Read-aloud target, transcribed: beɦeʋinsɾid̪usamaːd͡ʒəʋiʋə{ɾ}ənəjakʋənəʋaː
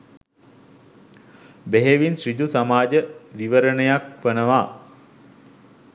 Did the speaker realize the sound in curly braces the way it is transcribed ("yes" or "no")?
yes